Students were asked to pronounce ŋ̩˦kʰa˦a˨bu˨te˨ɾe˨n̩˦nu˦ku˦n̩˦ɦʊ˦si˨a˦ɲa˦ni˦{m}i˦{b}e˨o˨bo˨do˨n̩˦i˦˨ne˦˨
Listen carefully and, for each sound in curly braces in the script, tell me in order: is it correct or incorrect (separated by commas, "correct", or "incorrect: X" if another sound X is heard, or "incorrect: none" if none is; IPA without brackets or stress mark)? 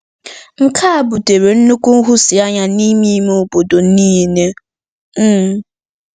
correct, incorrect: m